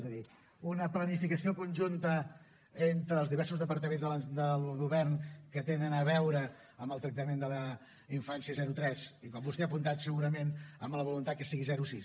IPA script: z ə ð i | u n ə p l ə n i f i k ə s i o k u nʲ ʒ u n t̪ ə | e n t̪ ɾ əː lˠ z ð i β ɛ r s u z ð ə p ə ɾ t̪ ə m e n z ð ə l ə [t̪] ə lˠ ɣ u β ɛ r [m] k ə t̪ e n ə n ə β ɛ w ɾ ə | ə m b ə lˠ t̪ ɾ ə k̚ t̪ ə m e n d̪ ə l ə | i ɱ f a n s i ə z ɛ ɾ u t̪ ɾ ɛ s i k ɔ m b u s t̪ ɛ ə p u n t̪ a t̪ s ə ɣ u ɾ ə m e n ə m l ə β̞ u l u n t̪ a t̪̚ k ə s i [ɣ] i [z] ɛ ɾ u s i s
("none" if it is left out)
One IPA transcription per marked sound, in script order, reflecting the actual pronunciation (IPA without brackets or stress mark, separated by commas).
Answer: d̪, n, ɣ, z